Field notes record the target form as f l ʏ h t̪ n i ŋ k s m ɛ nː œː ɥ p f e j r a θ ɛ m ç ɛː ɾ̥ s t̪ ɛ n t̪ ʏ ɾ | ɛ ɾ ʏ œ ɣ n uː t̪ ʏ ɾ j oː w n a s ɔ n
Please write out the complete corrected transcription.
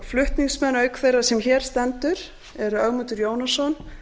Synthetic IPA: f l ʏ h t̪ n i ŋ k s m ɛ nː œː ɥ k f e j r a s ɛ m ç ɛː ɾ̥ s t̪ ɛ n t̪ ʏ ɾ | ɛ ɾ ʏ œ ɣ m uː t̪ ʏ ɾ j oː w n a s ɔ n